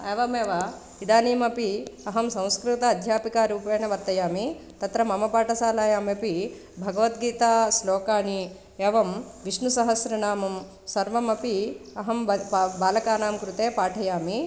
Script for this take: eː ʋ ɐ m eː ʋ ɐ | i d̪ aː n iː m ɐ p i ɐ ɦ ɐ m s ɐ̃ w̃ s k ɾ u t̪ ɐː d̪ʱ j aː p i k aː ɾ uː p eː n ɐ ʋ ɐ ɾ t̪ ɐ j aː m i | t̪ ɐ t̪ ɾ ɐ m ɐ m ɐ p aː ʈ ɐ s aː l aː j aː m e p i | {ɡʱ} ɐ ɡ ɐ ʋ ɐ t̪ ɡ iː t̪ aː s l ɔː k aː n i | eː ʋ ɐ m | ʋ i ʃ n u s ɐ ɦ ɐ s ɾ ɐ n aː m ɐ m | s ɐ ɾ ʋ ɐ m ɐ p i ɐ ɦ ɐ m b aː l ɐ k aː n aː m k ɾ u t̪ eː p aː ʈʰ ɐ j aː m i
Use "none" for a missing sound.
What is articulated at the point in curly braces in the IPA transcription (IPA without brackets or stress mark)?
bʱ